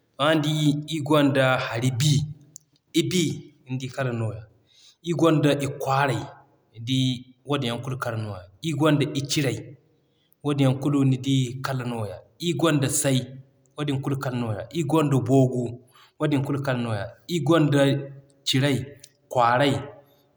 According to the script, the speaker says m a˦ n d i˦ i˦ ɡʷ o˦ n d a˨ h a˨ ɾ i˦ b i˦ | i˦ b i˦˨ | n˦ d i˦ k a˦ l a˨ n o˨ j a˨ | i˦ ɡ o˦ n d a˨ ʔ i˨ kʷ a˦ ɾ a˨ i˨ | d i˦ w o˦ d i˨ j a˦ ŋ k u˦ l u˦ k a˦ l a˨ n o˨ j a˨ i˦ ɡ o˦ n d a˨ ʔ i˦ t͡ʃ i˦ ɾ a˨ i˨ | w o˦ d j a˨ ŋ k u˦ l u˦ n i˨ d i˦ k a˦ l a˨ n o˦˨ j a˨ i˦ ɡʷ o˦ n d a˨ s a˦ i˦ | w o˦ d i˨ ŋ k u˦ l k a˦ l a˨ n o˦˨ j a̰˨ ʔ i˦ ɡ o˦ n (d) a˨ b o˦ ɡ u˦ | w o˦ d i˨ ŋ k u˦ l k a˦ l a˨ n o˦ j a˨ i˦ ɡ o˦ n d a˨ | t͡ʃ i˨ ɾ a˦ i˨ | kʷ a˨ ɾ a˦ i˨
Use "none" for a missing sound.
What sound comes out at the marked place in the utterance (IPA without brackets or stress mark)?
d